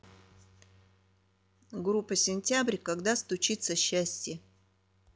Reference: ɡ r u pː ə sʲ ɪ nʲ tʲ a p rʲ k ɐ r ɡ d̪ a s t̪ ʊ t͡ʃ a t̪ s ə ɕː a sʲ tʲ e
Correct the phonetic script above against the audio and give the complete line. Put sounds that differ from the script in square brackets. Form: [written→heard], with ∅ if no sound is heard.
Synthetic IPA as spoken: ɡ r u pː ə sʲ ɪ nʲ tʲ a [p→b] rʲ k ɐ [r→∅] ɡ d̪ a s t̪ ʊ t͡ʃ [a→i] t̪ s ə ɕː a sʲ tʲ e